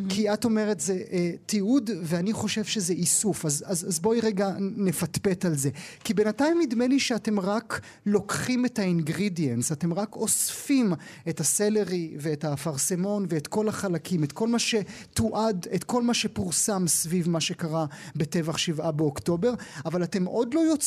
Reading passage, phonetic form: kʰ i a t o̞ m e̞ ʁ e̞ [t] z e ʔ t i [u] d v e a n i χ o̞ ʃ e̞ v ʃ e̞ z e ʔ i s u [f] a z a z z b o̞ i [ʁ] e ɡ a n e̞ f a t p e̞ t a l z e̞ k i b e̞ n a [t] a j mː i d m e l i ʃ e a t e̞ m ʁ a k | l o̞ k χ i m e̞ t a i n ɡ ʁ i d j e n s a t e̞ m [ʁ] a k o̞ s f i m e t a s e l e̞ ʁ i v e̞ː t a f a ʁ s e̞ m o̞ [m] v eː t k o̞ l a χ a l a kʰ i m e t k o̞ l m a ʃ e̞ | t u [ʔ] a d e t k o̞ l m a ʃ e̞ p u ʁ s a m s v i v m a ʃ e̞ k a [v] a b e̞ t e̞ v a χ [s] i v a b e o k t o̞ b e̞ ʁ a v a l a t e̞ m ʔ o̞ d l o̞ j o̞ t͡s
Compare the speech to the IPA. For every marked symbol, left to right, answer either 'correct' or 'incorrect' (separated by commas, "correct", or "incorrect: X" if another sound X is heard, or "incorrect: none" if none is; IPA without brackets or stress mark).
correct, correct, correct, correct, correct, correct, incorrect: n, correct, incorrect: ʁ, incorrect: ʃ